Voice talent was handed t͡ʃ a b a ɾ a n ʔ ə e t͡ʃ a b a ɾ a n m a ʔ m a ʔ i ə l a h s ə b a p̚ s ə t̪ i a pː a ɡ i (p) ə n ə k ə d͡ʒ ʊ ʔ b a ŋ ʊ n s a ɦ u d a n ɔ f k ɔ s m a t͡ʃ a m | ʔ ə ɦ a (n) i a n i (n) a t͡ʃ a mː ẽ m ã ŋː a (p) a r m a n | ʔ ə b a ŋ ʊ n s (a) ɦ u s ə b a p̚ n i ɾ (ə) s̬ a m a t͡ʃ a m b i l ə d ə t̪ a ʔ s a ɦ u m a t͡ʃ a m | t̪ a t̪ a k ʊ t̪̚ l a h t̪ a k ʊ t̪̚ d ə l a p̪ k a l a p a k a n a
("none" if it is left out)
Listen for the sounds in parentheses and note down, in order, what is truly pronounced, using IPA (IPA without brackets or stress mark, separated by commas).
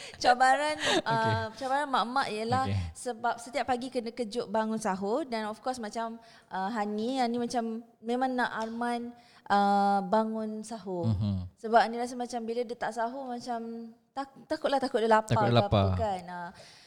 k, n, m, ʔ, a, a